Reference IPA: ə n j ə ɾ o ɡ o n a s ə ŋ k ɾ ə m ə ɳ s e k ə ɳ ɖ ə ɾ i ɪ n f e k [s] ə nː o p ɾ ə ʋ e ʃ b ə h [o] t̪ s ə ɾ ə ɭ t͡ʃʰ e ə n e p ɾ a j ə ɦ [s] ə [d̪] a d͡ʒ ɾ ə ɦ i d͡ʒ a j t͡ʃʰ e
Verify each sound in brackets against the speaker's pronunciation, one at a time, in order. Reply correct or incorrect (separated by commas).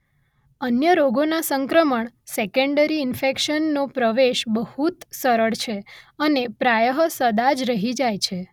incorrect, incorrect, correct, correct